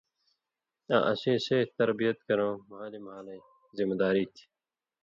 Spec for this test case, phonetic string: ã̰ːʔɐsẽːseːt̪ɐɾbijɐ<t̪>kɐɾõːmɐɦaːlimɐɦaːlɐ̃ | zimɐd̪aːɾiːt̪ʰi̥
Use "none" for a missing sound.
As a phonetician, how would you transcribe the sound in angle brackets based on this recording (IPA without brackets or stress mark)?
t̪